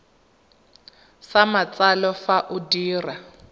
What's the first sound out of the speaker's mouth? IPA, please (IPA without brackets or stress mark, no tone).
s